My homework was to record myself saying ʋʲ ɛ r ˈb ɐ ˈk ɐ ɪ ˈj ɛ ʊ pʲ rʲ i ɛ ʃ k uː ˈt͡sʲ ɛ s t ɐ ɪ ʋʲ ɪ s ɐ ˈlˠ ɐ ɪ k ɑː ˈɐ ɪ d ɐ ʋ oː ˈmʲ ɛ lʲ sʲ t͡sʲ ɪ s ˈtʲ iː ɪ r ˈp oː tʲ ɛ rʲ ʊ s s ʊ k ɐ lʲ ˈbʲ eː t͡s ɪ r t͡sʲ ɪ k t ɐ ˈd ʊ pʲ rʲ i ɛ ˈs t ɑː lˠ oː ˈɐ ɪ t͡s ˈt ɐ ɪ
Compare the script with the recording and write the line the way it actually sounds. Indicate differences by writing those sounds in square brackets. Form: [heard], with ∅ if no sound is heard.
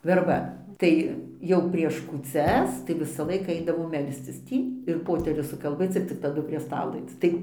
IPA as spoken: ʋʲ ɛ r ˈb ɐ [ˈt] ɐ ɪ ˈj ɛ ʊ pʲ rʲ i ɛ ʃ k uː ˈt͡sʲ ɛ s t ɐ ɪ ʋʲ ɪ s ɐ ˈlˠ ɐ ɪ k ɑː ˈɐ ɪ d ɐ ʋ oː ˈmʲ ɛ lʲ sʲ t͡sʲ ɪ s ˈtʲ iː ɪ r ˈp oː tʲ ɛ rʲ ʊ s s ʊ k ɐ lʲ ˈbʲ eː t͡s ɪ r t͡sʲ ɪ k t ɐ ˈd ʊ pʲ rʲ i ɛ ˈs t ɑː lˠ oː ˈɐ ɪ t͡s ˈt ɐ ɪ